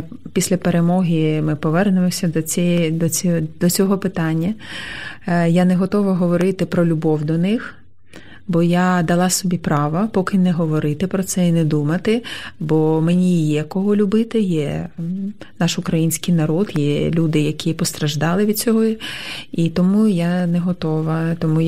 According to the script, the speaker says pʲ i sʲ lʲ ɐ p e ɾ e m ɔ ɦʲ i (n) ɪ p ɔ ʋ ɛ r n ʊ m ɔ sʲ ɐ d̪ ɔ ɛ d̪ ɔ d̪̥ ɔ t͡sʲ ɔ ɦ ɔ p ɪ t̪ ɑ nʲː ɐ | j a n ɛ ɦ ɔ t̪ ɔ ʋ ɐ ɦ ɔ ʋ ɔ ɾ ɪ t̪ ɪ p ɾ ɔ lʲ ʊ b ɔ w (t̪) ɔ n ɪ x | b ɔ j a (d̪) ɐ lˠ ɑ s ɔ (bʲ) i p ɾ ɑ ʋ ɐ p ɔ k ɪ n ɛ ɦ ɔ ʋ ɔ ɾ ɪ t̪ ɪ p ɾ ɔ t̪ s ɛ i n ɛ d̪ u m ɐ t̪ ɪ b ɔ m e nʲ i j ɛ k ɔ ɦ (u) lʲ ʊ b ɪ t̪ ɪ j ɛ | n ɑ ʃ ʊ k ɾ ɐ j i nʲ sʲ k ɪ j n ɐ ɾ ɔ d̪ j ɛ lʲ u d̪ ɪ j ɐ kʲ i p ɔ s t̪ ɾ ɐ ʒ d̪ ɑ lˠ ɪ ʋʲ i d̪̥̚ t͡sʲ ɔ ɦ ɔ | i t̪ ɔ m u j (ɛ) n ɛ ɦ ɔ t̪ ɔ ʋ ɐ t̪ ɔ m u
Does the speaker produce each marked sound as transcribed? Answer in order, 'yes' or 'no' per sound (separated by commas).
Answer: no, no, yes, yes, no, no